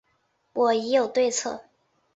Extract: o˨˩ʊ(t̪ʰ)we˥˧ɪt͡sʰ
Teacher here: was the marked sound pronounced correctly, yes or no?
no